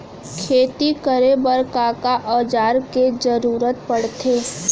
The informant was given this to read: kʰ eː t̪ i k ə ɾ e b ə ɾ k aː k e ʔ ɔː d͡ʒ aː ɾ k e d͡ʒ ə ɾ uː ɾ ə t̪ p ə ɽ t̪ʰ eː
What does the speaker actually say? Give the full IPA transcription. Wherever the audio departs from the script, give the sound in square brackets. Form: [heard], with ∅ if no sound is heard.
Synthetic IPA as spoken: kʰ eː t̪ i k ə ɾ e b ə ɾ k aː k [a] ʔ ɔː d͡ʒ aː ɾ k e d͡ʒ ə ɾ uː ɾ ə t̪ p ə ɽ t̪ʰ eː